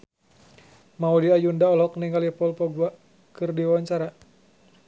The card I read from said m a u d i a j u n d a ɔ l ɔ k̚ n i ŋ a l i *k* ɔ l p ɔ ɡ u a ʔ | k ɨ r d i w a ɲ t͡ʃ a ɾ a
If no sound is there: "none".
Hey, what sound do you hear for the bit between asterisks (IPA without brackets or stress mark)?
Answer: p